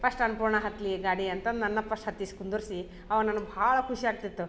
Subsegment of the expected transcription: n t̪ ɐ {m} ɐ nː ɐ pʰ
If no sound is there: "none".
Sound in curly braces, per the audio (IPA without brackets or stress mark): n